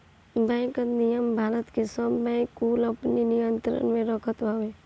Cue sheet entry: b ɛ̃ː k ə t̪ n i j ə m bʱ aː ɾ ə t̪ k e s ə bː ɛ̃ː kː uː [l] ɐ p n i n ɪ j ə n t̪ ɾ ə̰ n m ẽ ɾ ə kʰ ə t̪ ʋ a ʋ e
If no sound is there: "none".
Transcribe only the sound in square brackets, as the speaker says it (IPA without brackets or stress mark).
l